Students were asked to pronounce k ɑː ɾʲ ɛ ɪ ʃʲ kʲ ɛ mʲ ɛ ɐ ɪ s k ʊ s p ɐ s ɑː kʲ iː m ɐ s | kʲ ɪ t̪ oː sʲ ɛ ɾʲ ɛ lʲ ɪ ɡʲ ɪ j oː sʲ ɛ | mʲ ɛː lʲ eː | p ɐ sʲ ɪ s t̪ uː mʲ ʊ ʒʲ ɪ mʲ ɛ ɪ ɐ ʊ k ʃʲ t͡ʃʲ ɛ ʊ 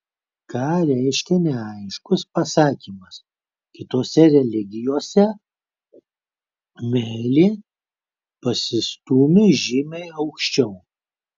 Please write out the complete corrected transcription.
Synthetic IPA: k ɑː ɾʲ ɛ ɪ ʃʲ kʲ ɛ nʲ ɛ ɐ ɪ ʃ k ʊ s p ɐ s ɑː kʲ iː m ɐ s | kʲ ɪ t̪ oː sʲ ɛ ɾʲ ɛ lʲ ɪ ɡʲ ɪ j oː sʲ ɛ | mʲ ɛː lʲ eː | p ɐ sʲ ɪ s t̪ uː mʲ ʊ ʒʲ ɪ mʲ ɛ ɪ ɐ ʊ k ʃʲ t͡ʃʲ ɛ ʊ